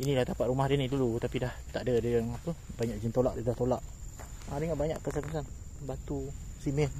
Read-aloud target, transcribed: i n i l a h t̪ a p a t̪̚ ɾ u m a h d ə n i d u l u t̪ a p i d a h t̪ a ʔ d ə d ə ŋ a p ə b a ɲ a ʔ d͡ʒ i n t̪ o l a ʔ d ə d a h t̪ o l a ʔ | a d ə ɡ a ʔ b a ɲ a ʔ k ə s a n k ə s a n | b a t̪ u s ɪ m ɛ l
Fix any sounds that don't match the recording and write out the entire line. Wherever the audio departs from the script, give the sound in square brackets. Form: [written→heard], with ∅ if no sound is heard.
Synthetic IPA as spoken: i n i l a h t̪ a p a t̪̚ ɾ u m a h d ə n i d u l u t̪ a p i d a h t̪ a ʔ d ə d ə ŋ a p ə b a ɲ a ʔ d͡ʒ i n t̪ o l a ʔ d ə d a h t̪ o l a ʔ | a d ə [ɡ→ŋ] a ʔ b a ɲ a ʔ k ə s a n k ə s a n | b a t̪ u s [ɪ→i] m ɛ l